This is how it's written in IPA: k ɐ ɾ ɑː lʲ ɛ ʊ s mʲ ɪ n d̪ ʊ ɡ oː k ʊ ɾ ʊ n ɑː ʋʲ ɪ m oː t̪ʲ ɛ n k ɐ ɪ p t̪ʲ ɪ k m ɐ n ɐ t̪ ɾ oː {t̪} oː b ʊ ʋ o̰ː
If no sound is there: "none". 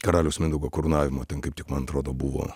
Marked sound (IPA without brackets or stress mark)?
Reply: d̪